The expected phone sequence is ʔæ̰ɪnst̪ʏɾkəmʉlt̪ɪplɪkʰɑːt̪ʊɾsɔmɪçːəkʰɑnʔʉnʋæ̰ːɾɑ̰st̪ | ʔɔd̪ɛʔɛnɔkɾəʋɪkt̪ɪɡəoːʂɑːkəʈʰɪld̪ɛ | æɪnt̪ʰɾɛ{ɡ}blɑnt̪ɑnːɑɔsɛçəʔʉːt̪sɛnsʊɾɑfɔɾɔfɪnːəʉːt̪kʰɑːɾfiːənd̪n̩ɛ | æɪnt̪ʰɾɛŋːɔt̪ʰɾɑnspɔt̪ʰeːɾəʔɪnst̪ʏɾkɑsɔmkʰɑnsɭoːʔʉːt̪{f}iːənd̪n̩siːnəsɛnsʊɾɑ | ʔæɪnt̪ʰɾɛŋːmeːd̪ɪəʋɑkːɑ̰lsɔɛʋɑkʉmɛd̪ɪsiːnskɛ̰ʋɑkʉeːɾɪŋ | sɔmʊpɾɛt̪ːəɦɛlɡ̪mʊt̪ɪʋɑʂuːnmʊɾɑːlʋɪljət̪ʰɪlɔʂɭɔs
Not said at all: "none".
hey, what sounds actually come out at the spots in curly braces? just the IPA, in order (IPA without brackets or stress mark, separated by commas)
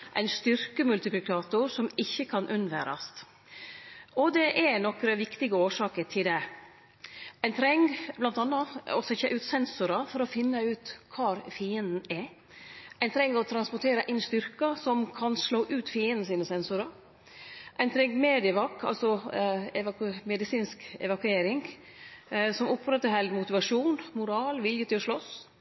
ŋ, f